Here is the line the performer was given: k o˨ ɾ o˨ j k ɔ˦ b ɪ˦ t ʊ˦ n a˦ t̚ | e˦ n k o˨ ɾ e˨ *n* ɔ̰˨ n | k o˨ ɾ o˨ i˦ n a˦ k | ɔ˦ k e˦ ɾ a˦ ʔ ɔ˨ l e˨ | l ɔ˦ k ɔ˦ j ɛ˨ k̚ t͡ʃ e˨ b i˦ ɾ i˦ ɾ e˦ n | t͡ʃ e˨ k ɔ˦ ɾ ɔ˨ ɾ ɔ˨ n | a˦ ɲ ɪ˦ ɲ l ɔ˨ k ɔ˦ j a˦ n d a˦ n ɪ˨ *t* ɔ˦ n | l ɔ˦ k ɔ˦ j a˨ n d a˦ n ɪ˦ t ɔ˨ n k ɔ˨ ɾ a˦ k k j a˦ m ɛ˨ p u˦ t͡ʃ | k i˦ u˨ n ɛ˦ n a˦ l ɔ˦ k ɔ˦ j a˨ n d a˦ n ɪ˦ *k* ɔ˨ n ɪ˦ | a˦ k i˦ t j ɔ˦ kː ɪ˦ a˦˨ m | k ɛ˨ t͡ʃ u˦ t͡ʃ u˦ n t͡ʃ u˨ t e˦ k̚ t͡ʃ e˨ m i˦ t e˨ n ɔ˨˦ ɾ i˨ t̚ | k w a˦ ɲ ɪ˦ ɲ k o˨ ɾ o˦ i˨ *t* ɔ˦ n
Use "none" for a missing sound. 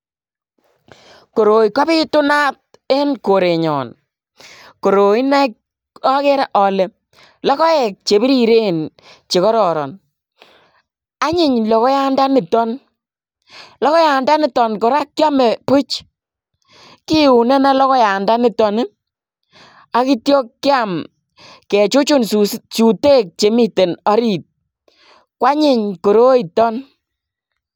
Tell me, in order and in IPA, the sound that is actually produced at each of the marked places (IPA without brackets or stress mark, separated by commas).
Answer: ɲ, t, t, t